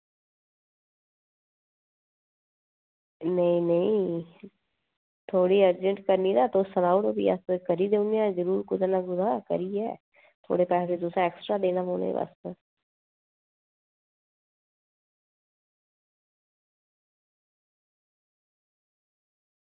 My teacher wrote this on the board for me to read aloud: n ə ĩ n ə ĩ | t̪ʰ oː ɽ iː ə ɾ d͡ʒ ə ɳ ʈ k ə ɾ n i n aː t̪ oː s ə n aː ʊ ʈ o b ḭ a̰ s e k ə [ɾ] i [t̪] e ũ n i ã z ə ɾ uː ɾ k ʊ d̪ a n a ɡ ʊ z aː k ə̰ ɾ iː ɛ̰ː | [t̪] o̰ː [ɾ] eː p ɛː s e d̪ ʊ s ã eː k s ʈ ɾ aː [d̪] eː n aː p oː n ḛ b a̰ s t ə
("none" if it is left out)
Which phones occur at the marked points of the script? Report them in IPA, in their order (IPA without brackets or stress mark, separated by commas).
ɾ, d̪, t̪ʰ, ɽ, d̪